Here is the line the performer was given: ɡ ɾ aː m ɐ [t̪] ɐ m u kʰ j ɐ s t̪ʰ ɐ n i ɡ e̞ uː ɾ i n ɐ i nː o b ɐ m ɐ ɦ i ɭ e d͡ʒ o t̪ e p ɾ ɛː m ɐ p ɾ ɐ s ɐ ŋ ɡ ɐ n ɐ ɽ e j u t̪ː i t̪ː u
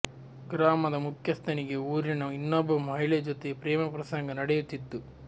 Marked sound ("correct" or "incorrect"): incorrect